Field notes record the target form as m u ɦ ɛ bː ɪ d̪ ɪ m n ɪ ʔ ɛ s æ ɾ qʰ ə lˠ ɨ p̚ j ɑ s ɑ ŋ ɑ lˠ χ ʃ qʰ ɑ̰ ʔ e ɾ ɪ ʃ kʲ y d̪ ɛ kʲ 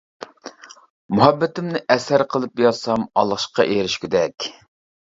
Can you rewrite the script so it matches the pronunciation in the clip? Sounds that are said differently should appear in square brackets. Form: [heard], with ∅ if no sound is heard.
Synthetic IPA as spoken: m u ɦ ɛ bː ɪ [t̪] ɪ m n ɪ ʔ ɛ s æ ɾ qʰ ə lˠ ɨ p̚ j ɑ s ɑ [m] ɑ lˠ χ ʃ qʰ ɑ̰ ʔ e ɾ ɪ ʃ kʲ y d̪ ɛ kʲ